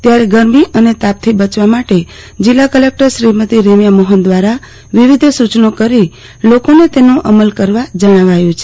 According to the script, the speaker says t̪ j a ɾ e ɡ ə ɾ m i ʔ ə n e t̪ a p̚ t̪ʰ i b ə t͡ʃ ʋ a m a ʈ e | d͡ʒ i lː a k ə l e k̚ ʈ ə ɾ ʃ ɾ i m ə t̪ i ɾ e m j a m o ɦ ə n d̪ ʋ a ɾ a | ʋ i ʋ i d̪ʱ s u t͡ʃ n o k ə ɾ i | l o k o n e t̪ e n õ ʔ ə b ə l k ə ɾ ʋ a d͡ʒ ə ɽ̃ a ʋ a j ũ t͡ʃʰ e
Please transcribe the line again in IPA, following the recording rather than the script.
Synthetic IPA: t̪ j a ɾ e ɡ ə ɾ m i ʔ ə n e t̪ a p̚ t̪ʰ i b ə t͡ʃ ʋ a m a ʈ e | d͡ʒ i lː a k ə l e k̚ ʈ ə ɾ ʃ ɾ i m ə t̪ i ɾ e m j a m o ɦ ə n d̪ ʋ a ɾ a | ʋ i ʋ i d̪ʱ s u t͡ʃ n o k ə ɾ i | l o k o n e t̪ e n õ ʔ ə m ə l k ə ɾ ʋ a d͡ʒ ə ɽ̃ a ʋ a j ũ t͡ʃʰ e